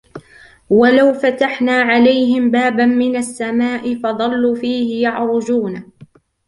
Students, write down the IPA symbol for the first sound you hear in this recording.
w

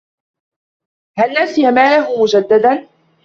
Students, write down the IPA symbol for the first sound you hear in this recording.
h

